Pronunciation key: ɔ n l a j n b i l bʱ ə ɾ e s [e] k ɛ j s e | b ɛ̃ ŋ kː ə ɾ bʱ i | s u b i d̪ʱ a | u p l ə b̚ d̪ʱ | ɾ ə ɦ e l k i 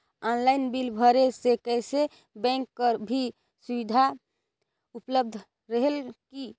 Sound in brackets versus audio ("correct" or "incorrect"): correct